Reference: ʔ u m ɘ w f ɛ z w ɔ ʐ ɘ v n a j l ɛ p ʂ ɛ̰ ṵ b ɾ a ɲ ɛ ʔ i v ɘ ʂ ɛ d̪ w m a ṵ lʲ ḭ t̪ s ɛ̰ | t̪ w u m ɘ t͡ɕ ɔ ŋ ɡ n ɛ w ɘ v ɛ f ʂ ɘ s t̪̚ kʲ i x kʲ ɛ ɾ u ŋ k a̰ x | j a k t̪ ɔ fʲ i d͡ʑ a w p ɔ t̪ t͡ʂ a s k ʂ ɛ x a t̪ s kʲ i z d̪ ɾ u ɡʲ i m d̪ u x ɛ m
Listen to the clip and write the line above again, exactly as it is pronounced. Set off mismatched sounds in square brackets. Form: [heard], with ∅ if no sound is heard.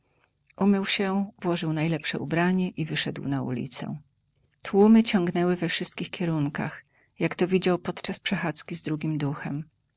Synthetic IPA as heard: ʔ u m ɘ w [ɕ] ɛ [v] w ɔ ʐ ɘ [w] n a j l ɛ p ʂ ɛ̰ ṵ b ɾ a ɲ ɛ ʔ i v ɘ ʂ ɛ d̪ w [n] a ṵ lʲ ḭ t̪ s ɛ̰ | t̪ w u m ɘ t͡ɕ ɔ ŋ ɡ n ɛ w ɘ v ɛ f ʂ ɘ s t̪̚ kʲ i x kʲ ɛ ɾ u ŋ k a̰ x | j a k t̪ ɔ [vʲ] i d͡ʑ a w p ɔ t̪ t͡ʂ a s [p] ʂ ɛ x a t̪ s kʲ i z d̪ ɾ u ɡʲ i m d̪ u x ɛ m